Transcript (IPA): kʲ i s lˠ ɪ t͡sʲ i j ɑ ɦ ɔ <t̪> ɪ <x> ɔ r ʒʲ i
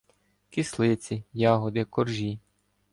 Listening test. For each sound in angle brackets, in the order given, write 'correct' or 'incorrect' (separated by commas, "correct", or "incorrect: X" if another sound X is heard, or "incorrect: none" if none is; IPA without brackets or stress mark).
incorrect: d̪, incorrect: k